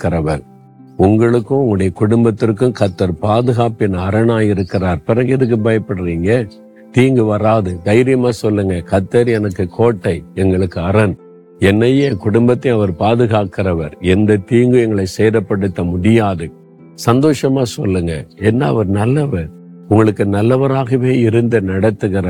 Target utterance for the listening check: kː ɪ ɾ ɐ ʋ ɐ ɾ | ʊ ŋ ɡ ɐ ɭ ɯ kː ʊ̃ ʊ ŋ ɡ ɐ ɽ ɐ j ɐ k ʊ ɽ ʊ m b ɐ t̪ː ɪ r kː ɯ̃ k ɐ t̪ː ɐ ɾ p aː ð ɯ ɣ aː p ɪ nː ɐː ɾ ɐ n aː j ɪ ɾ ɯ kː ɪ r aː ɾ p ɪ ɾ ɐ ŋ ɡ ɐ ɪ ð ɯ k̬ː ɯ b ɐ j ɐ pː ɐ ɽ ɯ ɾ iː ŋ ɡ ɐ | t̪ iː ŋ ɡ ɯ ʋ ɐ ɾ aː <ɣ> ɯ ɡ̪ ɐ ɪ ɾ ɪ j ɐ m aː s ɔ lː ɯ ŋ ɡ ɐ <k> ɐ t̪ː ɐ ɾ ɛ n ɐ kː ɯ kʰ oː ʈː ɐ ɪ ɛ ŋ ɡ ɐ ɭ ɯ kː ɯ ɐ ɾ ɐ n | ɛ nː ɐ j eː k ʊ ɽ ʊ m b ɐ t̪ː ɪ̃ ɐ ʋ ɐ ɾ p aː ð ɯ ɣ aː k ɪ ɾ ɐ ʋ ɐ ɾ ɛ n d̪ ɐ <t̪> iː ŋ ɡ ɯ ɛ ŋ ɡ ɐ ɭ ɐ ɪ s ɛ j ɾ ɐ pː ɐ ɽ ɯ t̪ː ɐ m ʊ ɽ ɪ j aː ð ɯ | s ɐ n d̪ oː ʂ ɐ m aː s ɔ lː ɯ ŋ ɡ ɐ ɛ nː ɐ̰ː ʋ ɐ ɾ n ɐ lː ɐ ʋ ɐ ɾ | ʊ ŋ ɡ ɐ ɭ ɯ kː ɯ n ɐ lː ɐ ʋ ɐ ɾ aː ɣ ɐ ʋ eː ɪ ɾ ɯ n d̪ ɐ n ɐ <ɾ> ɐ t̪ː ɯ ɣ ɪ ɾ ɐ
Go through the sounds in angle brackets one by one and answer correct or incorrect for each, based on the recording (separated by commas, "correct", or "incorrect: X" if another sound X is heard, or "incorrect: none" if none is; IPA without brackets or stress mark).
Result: incorrect: ð, correct, correct, incorrect: ɽ